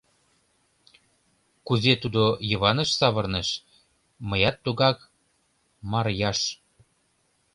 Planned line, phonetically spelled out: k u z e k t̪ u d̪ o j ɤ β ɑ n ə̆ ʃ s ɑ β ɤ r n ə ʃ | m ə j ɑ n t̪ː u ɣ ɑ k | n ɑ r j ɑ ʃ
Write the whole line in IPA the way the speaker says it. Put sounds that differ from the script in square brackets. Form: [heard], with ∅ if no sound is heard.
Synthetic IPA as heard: k u z e [∅] t̪ u d̪ o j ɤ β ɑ n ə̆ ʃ s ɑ β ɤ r n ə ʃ | m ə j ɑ [∅] t̪ː u ɣ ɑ k | [m] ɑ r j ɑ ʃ